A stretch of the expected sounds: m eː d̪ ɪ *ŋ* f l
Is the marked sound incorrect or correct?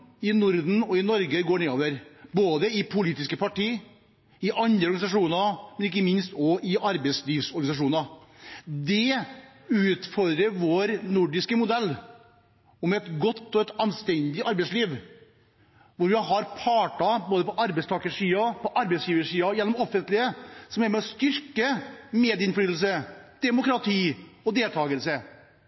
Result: incorrect: n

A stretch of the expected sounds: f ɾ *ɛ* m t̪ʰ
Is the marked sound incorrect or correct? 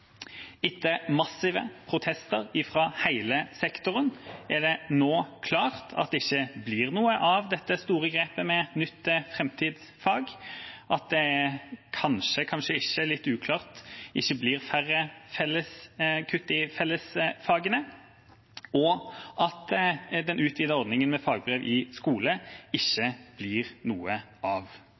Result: correct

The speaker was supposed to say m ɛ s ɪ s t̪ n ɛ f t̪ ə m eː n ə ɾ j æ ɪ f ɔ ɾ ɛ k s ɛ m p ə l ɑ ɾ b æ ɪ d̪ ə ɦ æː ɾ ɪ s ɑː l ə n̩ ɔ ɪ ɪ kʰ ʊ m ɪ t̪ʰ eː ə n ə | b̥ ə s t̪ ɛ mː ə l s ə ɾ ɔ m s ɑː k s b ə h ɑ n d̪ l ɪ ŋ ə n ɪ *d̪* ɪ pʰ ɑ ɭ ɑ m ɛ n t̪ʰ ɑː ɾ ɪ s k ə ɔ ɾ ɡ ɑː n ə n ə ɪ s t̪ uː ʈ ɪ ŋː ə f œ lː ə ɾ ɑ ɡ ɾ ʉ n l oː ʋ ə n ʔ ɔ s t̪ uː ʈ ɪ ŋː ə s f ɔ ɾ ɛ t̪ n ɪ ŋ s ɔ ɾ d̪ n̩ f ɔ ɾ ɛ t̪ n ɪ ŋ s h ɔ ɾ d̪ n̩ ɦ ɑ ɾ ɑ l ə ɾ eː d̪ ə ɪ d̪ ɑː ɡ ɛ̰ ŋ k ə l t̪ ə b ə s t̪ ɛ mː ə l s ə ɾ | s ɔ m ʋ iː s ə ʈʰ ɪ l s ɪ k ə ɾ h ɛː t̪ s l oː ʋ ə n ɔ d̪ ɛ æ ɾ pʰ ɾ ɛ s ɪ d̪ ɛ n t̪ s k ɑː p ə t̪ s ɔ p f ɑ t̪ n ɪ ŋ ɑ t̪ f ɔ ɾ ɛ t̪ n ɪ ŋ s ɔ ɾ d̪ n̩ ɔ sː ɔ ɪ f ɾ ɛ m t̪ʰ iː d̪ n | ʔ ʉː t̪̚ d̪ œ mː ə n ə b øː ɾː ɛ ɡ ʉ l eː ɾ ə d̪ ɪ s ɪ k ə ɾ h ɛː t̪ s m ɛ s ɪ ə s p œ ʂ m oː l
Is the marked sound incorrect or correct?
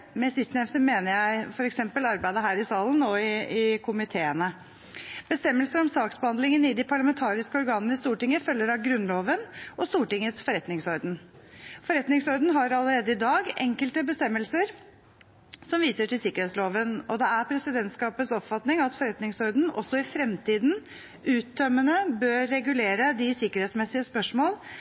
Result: correct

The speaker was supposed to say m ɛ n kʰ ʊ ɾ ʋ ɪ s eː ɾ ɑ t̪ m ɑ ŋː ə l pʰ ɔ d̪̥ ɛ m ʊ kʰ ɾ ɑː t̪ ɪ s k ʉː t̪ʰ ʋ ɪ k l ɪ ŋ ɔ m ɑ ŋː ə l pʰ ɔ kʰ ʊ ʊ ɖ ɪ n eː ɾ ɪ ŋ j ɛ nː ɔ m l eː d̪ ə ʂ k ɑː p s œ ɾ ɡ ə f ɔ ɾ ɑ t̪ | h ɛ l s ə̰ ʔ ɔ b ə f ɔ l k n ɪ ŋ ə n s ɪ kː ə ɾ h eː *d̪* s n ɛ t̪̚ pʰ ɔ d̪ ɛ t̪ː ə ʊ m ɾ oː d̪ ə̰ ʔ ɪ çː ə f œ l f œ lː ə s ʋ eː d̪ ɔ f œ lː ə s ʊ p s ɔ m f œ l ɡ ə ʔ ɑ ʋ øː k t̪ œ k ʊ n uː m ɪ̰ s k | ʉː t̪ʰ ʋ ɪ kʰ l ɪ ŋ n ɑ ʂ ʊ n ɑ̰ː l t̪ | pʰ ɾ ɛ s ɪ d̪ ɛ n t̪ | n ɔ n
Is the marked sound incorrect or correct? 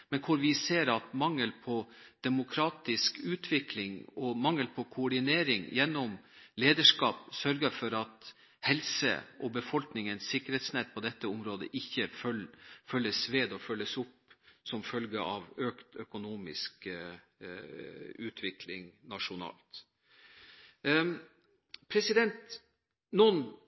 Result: incorrect: t̪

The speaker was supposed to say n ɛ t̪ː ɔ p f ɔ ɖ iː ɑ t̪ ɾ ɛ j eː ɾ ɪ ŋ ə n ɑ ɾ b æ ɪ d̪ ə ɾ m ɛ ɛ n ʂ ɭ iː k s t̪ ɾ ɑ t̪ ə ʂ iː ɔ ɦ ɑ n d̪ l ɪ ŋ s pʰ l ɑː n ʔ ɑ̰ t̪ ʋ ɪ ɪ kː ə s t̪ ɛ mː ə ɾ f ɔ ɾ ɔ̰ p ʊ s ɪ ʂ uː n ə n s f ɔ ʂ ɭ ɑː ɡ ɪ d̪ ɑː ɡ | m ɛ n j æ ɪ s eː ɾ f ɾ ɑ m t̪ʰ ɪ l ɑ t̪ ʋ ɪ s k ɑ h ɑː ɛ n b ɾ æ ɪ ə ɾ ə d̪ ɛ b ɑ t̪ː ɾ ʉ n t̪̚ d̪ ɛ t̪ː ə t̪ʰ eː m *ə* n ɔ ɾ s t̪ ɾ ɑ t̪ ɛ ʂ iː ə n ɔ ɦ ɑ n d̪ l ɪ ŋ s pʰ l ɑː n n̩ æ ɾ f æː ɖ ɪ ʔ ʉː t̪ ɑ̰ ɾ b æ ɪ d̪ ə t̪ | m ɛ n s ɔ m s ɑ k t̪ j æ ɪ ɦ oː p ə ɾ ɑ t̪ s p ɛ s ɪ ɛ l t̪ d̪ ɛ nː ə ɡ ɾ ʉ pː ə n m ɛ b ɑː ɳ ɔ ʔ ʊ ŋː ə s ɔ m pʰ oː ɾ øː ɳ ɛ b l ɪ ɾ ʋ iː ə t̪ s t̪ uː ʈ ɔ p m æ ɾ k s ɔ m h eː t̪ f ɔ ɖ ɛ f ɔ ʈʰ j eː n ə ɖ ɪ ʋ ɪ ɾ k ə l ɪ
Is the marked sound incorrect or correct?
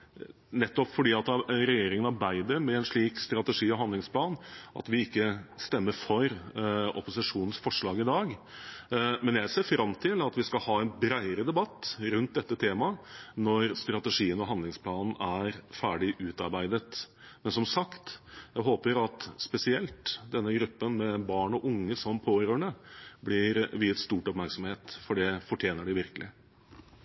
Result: incorrect: ɑ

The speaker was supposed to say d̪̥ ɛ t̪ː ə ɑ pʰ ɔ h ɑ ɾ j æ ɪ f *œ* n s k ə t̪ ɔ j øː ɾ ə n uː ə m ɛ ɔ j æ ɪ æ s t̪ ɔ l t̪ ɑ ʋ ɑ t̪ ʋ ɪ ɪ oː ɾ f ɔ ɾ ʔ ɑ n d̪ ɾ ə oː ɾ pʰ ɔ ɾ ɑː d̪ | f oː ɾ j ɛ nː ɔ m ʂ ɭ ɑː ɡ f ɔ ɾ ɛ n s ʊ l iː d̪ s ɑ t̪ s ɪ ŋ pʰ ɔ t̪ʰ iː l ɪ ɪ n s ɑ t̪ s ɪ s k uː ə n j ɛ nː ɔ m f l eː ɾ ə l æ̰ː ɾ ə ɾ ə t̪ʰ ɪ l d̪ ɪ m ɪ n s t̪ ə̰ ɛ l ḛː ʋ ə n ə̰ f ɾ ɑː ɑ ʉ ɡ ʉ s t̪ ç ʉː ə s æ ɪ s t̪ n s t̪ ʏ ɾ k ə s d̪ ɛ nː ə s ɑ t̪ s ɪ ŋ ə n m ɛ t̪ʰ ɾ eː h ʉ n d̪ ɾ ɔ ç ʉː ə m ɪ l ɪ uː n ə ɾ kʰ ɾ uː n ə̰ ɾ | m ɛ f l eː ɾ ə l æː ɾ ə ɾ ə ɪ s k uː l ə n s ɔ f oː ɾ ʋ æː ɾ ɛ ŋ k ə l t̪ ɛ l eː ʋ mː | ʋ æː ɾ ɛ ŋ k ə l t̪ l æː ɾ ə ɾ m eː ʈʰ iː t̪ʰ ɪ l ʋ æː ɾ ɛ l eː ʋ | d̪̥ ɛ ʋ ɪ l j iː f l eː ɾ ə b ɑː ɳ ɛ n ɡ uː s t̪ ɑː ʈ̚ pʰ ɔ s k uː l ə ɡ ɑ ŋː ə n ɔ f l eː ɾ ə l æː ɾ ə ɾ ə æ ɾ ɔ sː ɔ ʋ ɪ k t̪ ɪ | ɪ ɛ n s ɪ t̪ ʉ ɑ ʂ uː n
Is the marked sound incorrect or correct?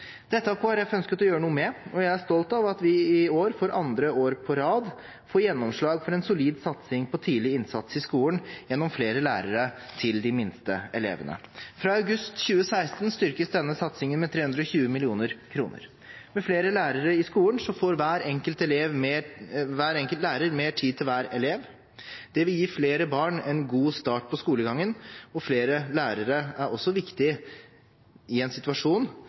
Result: correct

